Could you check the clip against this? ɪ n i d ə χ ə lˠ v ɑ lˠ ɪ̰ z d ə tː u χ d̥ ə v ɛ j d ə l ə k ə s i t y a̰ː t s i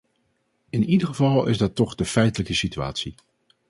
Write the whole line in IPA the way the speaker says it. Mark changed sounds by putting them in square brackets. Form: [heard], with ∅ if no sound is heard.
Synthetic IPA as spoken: ɪ n i d ə χ ə [∅] v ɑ lˠ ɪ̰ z d [ɑ] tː [ɔ] χ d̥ ə [f] ɛ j [t] ə l ə k ə s i t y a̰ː t s i